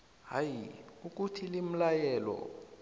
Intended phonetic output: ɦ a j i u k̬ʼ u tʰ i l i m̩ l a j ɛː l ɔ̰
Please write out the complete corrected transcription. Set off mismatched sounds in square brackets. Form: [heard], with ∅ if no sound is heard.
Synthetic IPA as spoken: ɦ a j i u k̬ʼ u tʰ i l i m̩ l a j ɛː l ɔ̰